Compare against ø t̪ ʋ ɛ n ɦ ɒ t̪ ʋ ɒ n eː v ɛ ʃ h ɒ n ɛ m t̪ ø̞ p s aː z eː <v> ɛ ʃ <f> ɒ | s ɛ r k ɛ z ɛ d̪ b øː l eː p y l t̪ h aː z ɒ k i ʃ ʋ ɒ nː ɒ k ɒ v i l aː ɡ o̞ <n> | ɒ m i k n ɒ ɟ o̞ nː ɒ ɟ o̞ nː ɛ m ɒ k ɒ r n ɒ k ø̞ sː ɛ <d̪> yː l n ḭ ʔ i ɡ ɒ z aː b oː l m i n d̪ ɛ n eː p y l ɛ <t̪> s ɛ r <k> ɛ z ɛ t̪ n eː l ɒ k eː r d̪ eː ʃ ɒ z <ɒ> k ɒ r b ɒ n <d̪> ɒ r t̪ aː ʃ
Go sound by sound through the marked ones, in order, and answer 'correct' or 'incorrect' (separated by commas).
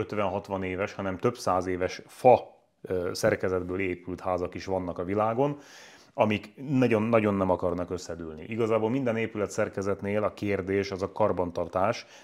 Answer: correct, correct, correct, correct, correct, correct, correct, incorrect